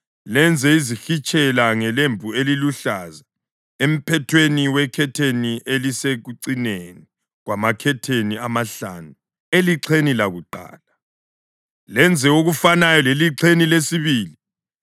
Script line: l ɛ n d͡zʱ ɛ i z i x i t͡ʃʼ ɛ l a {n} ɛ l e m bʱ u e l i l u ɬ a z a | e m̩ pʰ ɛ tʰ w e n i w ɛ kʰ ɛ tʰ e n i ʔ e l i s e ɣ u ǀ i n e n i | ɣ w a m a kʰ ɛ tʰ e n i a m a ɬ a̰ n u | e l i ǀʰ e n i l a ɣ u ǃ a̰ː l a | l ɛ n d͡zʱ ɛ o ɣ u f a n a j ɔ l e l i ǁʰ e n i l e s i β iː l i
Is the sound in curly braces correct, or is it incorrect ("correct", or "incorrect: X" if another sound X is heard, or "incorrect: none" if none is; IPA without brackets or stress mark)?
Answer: incorrect: ŋ